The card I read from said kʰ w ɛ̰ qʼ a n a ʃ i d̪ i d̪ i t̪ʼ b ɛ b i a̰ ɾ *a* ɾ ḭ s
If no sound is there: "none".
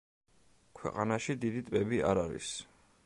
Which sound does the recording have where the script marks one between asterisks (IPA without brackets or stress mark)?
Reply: a